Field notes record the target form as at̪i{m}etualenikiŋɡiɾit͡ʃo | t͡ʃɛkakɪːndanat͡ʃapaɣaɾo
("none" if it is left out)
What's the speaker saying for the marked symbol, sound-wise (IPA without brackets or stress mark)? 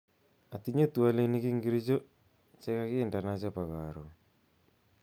ɲ